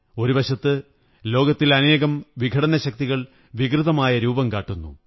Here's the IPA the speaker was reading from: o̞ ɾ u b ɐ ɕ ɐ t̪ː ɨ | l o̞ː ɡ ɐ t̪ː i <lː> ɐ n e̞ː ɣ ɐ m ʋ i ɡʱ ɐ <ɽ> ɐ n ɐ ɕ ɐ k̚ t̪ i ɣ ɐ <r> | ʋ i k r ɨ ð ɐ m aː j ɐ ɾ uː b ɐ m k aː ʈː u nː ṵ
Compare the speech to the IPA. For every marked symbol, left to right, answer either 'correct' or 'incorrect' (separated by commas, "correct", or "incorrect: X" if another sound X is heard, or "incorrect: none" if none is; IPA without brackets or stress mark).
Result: incorrect: l, correct, incorrect: ɭ